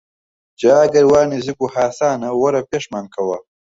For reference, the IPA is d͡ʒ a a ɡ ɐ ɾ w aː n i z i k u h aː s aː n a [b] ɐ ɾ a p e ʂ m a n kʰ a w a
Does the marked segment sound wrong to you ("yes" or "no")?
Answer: yes